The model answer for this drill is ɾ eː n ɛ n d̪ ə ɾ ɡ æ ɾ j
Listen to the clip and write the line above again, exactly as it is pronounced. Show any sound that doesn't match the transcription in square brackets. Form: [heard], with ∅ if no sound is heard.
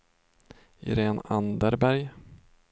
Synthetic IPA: ɾ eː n [a] n d̪ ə ɾ [b] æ ɾ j